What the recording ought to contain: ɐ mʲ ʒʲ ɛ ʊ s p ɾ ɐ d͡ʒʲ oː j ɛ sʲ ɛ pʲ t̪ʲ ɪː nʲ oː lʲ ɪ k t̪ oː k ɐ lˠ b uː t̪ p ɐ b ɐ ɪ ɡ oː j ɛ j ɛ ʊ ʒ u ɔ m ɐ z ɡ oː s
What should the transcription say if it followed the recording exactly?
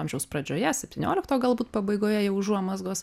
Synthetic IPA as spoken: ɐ mʲ ʒʲ ɛ ʊ s p ɾ ɐ d͡ʒʲ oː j ɛ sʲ ɛ pʲ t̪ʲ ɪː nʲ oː lʲ ɪ k t̪ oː ɡ ɐ lˠ b uː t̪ p ɐ b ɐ ɪ ɡ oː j ɛ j ɛ ʊ ʒ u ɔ m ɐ z ɡ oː s